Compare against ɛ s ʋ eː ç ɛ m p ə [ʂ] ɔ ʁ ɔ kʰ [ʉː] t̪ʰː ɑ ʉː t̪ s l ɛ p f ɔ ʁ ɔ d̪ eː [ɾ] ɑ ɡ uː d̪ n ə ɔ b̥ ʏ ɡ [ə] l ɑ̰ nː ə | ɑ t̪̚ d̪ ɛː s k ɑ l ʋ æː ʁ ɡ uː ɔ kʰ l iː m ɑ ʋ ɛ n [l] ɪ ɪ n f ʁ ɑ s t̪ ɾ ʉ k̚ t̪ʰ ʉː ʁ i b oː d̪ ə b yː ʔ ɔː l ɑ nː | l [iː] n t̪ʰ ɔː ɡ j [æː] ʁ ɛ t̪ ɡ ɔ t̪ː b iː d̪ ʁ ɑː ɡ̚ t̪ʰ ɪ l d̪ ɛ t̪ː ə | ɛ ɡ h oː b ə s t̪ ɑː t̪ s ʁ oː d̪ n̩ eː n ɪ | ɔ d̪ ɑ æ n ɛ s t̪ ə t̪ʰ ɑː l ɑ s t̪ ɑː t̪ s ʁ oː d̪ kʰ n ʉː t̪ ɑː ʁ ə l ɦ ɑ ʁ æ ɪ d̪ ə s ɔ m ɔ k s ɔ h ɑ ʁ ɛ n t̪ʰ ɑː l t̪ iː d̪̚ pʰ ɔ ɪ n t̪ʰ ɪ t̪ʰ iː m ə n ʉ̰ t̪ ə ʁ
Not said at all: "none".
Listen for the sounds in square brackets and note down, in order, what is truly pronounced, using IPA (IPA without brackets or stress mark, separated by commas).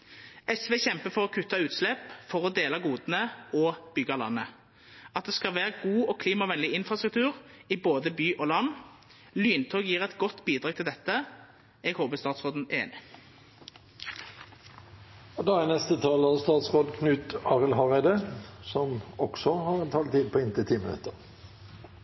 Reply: f, ʉ, l, ɑ, l, yː, iː